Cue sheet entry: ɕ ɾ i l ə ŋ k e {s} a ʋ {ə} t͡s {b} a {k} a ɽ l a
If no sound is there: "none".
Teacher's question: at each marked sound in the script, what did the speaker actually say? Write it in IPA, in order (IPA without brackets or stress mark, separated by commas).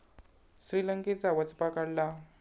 t͡s, ə, p, k